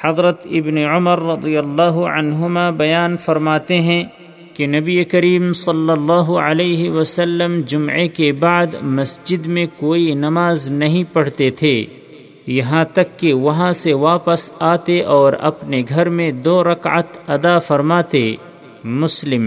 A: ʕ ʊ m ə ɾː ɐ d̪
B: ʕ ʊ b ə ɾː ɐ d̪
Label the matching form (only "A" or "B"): A